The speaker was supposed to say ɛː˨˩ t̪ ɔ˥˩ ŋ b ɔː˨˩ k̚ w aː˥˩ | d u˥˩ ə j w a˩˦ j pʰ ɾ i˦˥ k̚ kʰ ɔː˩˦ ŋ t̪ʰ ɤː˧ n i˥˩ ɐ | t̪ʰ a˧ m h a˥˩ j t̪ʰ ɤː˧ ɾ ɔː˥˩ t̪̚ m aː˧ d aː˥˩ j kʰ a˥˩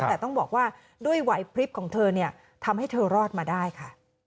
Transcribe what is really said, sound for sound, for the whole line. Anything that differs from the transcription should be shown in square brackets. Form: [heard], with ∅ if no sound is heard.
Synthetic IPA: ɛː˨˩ t̪ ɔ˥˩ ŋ b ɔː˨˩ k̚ w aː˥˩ | d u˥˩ ə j w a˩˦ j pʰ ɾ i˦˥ [p̚] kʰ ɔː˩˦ ŋ t̪ʰ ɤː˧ n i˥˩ ɐ | t̪ʰ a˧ m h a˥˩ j t̪ʰ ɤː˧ ɾ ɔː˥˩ t̪̚ m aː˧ d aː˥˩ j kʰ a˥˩